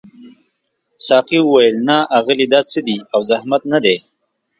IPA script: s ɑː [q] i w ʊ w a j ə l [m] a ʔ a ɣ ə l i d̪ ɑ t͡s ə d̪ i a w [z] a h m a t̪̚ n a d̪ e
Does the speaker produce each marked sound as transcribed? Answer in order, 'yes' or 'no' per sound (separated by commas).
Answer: yes, no, yes